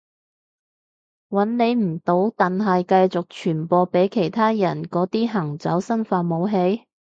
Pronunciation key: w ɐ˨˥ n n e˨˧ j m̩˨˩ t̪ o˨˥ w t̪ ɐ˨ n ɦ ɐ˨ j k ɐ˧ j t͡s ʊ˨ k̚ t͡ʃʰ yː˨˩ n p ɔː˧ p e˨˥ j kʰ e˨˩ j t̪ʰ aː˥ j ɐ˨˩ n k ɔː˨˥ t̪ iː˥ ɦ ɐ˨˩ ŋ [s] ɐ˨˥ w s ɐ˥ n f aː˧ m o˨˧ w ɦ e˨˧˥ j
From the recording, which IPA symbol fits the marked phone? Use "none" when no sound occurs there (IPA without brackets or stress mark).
t͡s